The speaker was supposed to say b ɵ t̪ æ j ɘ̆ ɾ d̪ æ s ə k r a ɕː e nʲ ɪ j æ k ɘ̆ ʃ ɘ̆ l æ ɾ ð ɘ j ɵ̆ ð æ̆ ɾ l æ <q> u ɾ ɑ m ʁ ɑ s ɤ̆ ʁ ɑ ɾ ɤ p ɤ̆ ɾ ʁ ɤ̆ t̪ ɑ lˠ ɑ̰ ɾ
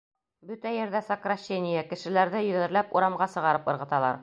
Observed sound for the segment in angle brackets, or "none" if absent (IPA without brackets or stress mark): p